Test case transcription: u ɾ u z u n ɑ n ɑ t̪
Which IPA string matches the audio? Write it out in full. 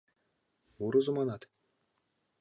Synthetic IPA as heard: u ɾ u z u m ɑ n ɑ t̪

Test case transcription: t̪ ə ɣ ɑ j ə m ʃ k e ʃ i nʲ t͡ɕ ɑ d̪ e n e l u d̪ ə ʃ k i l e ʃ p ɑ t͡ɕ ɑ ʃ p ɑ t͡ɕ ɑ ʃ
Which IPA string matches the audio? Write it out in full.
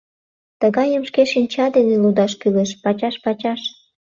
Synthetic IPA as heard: t̪ ə ɣ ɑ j ə m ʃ k e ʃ i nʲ t͡ɕ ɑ d̪ e n e l u d̪ ɑ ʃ k y l e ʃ p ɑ t͡ɕ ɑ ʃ p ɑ t͡ɕ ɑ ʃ

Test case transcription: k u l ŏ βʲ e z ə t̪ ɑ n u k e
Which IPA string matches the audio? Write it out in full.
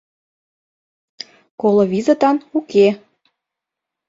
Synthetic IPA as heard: k o l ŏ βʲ i z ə t̪ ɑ n u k e

